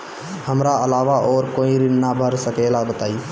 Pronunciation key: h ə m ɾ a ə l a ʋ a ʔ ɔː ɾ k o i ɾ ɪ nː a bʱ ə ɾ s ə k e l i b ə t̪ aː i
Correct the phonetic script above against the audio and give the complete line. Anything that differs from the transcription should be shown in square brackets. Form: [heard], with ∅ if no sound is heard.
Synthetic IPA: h ə m ɾ a ə l a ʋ a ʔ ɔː ɾ k o i ɾ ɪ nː a bʱ ə ɾ s ə k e l [a] b ə t̪ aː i